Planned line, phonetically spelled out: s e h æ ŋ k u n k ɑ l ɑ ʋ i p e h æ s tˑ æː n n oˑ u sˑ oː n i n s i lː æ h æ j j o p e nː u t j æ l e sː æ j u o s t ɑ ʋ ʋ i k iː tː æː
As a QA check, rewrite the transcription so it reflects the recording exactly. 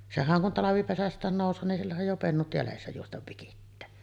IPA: s e h æ ŋ k u n t ɑ l ɑ ʋ i p e s æ s tˑ æː n n oˑ u sˑ oː n i n s i lː æ h æ j j o p e nː u t j æ l e sː æ j u o s t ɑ ʋ ʋ i k i tː æː